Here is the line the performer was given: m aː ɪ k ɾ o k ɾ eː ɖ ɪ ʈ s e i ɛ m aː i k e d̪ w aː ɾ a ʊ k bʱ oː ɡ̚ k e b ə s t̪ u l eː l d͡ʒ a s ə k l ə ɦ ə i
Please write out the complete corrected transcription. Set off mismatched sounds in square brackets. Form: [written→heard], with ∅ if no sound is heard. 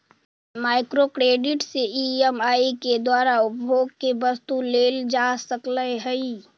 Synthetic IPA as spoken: m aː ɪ k ɾ o k ɾ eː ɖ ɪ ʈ s e i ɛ m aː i k e d̪ w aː ɾ a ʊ [k→p] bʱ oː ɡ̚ k e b ə s t̪ u l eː l d͡ʒ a s ə k l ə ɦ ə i